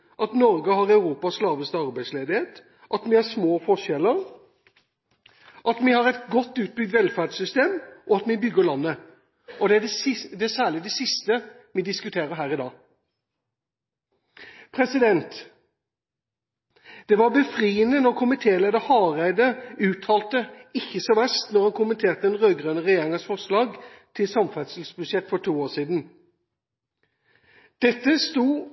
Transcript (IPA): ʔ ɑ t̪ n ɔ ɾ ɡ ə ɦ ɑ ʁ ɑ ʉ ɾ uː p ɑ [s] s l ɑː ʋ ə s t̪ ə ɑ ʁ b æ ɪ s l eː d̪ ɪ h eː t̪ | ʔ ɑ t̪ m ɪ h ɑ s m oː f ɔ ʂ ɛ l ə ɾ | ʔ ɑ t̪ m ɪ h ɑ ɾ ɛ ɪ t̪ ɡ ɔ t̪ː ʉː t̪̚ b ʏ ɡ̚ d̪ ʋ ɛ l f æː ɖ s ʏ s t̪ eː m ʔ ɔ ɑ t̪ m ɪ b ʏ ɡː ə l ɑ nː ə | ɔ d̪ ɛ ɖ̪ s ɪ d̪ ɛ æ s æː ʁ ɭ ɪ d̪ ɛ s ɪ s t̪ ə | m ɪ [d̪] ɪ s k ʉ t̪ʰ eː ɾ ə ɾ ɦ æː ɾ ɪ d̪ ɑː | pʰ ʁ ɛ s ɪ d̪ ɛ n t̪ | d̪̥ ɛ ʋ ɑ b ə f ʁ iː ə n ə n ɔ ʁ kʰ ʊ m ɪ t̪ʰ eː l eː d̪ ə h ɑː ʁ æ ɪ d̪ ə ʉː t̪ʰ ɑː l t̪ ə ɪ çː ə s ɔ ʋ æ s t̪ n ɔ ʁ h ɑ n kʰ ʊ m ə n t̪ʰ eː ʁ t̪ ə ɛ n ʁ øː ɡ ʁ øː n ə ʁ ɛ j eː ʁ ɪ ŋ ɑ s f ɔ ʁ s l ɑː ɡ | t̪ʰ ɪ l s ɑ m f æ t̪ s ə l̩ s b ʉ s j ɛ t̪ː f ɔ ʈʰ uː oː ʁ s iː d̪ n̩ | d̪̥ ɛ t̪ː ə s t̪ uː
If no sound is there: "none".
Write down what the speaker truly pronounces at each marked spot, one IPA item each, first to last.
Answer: s, d̪

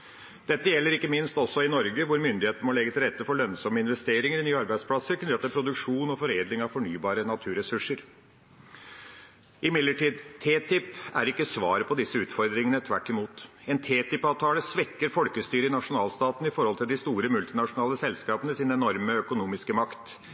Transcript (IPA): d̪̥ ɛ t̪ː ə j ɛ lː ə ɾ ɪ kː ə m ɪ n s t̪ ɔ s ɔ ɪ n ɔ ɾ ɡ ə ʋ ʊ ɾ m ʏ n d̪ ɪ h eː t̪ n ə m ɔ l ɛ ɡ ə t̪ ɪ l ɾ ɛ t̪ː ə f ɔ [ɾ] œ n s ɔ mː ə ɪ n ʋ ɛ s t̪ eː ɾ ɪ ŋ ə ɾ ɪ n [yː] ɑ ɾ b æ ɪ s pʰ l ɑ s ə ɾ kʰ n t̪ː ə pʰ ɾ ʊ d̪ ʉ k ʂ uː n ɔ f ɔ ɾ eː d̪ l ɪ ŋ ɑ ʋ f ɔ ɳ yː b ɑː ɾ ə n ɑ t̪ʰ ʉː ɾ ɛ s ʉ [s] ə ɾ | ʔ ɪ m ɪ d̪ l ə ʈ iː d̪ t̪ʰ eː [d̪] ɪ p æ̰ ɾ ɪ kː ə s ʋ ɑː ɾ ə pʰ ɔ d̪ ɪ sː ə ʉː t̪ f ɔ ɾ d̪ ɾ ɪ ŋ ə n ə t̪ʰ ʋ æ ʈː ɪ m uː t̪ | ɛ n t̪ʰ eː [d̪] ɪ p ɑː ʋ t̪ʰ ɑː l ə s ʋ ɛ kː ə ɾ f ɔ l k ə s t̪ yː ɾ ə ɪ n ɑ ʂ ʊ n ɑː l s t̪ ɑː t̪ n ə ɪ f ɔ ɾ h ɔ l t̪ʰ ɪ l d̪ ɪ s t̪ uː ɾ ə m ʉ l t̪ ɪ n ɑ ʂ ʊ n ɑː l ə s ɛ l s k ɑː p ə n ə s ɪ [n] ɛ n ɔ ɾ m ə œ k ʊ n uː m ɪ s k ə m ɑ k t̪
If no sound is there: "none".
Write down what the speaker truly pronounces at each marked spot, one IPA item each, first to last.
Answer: ɭ, yː, ʂ, t̪, t̪, n

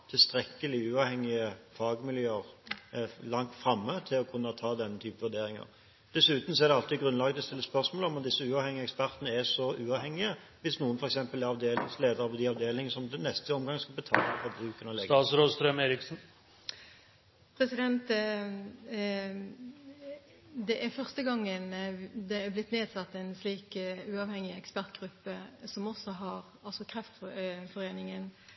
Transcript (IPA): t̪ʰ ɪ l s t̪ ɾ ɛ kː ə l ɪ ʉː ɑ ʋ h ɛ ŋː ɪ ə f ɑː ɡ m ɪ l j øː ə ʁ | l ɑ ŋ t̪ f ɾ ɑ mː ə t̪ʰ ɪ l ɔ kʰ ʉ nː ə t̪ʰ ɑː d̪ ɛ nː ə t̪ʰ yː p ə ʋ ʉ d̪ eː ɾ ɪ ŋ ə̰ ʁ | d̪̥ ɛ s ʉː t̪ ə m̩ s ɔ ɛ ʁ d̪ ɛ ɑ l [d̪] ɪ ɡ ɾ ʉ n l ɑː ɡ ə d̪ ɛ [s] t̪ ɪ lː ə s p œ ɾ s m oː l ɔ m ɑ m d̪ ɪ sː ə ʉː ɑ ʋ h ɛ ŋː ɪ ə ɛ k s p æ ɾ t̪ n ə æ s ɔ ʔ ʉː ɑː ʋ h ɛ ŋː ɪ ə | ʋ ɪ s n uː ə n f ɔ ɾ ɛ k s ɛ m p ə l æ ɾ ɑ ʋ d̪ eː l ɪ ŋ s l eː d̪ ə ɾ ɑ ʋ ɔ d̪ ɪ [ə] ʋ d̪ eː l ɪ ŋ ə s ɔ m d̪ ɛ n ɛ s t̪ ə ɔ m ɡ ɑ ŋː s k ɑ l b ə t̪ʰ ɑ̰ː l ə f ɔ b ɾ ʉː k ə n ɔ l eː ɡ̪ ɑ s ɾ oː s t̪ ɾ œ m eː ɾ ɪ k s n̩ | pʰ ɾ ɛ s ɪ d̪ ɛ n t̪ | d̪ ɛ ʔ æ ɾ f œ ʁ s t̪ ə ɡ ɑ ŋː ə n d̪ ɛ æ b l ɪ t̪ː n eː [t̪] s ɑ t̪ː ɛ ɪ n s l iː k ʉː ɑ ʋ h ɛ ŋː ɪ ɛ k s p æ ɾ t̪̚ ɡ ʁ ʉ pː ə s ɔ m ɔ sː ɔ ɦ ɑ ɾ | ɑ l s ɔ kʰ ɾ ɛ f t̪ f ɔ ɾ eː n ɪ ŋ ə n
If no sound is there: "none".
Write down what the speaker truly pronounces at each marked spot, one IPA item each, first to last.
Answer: t̪, s, ɑ, d̪

